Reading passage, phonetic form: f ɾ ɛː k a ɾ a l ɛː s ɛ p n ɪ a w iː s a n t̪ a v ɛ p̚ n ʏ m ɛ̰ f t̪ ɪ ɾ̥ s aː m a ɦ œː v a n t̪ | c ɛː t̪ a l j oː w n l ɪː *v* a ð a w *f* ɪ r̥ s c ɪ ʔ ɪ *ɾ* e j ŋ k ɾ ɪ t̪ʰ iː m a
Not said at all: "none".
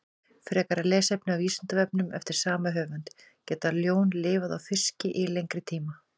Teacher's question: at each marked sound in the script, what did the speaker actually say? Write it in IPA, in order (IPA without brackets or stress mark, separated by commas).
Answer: v, f, l